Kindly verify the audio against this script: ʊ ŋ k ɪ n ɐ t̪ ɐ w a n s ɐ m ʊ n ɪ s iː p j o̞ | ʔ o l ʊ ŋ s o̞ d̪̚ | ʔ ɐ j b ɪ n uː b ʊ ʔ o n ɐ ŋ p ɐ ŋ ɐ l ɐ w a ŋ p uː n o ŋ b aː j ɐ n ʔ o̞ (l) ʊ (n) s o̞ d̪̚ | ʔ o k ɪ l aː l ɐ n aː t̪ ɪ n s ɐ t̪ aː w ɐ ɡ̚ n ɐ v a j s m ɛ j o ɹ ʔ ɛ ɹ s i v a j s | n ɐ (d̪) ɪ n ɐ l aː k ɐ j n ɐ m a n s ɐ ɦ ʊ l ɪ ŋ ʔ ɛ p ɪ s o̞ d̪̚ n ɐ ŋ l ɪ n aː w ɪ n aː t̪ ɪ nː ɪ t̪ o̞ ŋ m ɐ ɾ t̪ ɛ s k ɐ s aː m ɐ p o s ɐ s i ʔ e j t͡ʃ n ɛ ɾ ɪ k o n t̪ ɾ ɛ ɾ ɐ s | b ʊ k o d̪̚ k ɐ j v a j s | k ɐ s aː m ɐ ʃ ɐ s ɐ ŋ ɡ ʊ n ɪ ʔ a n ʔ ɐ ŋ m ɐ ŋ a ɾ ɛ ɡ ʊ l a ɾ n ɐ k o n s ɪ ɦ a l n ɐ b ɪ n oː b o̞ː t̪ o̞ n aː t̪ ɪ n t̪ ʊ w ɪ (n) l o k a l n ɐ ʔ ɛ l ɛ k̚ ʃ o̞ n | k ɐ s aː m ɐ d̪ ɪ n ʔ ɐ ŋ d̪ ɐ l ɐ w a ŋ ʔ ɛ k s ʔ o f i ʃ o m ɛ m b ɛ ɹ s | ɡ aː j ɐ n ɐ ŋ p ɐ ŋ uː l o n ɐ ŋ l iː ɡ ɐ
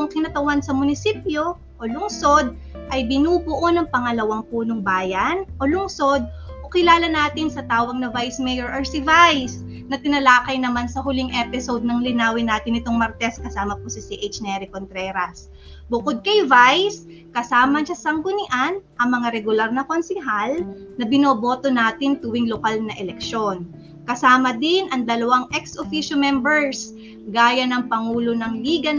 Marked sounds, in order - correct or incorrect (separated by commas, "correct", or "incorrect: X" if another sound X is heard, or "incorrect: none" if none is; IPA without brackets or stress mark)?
correct, incorrect: ŋ, incorrect: t̪, incorrect: ŋ